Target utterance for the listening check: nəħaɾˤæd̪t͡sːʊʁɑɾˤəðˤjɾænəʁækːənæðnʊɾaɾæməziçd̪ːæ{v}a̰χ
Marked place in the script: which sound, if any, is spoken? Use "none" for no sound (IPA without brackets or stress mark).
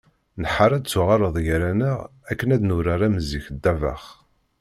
v